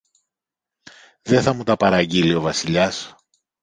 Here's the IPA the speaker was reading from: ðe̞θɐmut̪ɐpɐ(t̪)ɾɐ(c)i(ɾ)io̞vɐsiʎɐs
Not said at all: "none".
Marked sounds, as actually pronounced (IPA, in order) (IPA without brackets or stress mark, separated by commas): none, ɟ, l